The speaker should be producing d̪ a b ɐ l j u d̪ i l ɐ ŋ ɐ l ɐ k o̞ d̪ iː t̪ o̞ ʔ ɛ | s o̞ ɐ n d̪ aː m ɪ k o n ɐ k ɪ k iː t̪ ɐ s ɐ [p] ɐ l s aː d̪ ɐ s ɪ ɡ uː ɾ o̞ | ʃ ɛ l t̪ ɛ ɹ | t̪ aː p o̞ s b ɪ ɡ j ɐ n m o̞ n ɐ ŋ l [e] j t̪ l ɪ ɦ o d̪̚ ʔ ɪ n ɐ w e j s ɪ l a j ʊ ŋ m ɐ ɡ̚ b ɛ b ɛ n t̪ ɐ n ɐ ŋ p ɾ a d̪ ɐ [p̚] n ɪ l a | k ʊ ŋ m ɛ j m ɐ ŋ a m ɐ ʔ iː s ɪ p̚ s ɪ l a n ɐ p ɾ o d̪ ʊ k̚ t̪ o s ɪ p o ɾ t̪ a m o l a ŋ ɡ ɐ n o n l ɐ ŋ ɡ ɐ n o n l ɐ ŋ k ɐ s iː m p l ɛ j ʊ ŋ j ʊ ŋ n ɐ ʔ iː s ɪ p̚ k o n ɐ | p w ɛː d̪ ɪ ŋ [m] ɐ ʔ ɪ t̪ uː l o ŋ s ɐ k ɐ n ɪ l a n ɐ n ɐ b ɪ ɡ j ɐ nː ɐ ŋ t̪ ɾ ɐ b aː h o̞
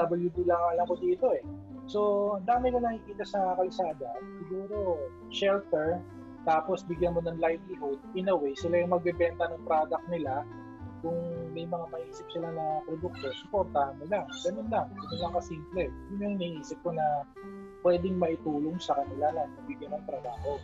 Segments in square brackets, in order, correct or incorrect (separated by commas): incorrect, incorrect, incorrect, correct